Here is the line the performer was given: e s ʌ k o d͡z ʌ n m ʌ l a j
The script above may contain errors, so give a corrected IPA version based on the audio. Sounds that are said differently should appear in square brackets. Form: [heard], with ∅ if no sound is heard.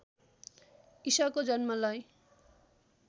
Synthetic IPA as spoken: [i] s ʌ k o d͡z ʌ n m ʌ l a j